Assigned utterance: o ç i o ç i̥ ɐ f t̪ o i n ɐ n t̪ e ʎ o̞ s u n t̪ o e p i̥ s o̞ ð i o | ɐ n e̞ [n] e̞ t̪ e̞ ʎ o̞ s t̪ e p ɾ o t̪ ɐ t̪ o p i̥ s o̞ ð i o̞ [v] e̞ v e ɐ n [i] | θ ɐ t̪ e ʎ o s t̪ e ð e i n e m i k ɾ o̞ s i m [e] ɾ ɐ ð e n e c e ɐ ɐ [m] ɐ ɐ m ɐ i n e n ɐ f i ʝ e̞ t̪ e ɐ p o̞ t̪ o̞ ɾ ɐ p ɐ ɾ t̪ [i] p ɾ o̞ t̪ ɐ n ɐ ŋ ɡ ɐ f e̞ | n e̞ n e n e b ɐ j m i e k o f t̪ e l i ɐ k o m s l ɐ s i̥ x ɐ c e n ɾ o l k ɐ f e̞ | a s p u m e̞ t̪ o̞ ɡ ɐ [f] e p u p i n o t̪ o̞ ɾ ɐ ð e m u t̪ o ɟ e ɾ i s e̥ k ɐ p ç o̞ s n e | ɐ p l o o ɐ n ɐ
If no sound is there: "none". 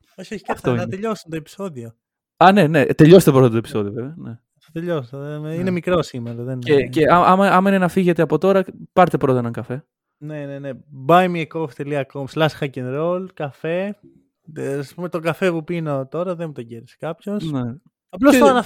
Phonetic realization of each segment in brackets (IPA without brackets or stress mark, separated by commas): n, v, e, e, m, e, f